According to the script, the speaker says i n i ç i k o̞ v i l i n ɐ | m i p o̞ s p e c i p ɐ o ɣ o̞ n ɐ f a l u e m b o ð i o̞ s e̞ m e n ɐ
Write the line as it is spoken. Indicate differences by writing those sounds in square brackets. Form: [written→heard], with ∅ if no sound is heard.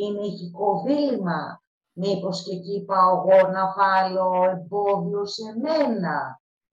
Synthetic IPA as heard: i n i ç i k o̞ v i l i [n→m] ɐ | m i p o̞ s [p→c] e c i p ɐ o ɣ o̞ n ɐ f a l [u→o] e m b o ð i o̞ s e̞ m e n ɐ